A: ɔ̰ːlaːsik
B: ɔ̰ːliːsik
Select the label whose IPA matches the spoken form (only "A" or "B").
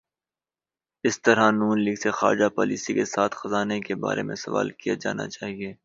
B